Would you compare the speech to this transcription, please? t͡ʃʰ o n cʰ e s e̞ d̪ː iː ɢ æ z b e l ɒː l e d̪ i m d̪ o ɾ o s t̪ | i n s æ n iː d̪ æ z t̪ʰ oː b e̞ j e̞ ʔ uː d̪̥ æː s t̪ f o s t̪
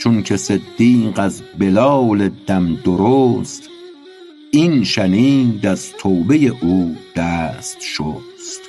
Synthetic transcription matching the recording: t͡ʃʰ o n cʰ e s e̞ d̪ː iː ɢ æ z b e l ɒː l e d̪ æ m d̪ o ɾ o s t̪ | i n ʃ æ n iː d̪ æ z t̪ʰ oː b e̞ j e̞ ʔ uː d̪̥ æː s t̪ ʃ o s t̪